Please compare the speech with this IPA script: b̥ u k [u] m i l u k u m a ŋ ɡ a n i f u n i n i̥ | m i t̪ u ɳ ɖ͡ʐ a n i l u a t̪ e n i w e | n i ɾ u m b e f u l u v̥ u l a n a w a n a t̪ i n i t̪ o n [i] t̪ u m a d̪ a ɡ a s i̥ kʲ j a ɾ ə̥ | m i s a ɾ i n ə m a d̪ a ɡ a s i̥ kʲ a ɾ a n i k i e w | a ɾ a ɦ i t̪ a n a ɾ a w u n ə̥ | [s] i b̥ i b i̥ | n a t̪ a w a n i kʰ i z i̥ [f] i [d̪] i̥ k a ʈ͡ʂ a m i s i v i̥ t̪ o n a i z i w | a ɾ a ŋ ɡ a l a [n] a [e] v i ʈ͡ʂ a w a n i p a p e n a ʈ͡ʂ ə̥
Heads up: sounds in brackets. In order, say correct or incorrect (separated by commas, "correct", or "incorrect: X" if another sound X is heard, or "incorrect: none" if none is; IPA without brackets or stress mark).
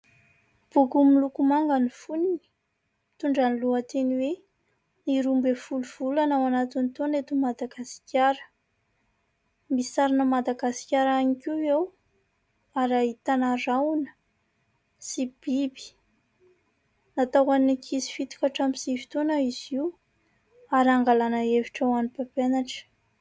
correct, incorrect: e, correct, correct, incorrect: t̪, correct, correct